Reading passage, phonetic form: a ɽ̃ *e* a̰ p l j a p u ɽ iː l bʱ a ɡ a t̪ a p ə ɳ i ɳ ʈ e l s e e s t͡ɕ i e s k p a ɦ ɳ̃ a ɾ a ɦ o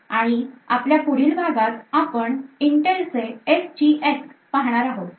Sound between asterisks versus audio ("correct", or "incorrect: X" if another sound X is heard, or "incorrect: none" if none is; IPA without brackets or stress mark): incorrect: i